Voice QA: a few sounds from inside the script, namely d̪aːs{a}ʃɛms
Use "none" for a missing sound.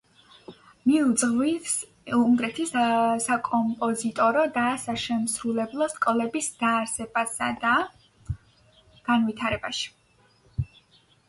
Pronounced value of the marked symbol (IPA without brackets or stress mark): a